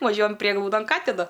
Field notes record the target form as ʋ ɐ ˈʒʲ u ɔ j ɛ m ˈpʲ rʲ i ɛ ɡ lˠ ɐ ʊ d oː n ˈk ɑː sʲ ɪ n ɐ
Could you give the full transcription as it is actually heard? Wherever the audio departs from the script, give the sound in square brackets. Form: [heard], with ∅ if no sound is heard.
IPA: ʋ ɐ ˈʒʲ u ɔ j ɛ m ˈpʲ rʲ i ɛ ɡ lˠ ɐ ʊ d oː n ˈk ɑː [tʲ] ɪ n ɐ